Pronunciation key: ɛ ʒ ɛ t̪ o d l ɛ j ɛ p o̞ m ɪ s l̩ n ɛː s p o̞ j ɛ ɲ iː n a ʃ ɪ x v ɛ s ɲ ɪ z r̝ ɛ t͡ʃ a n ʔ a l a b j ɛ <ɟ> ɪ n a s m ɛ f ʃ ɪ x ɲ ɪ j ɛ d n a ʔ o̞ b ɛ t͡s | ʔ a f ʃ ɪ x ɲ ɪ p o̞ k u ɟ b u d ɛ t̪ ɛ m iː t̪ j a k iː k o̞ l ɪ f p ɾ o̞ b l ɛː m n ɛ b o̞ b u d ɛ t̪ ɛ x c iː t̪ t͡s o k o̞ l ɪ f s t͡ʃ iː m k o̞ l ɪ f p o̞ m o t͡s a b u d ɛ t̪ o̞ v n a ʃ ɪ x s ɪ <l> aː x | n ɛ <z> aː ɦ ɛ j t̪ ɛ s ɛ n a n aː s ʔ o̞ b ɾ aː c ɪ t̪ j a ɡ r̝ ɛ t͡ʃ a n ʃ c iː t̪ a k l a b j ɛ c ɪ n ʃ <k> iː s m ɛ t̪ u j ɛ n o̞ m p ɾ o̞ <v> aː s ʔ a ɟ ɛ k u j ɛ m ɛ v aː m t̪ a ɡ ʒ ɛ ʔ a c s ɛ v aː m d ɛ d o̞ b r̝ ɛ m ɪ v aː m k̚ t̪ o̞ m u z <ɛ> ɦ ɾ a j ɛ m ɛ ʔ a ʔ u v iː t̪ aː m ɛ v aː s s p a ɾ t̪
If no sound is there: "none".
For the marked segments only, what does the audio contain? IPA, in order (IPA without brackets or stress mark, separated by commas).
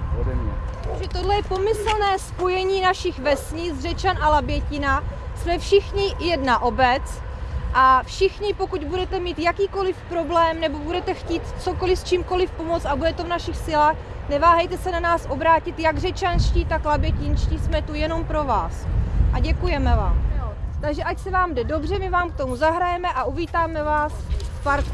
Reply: c, l, v, c, v, a